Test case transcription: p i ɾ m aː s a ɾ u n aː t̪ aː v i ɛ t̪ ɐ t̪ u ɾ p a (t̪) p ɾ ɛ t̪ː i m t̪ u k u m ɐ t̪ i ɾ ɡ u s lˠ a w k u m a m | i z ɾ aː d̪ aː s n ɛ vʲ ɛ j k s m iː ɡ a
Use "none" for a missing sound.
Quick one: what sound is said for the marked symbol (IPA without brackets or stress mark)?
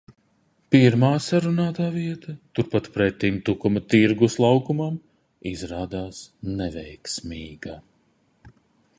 t̪